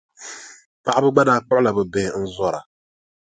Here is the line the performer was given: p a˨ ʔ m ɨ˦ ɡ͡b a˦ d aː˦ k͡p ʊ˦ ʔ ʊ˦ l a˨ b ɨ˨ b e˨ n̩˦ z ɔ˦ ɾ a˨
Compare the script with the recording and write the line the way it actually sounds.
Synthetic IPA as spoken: p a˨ ʔ b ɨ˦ ɡ͡b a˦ d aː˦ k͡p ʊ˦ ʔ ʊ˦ l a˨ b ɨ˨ b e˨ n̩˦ z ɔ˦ ɾ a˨